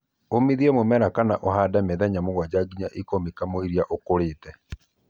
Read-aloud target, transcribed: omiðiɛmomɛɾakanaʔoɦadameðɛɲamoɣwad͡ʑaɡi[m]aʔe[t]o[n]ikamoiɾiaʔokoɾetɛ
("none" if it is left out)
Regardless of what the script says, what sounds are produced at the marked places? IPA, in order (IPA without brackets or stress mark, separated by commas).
ɲ, k, m